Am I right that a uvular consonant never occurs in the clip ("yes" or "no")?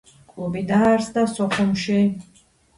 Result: no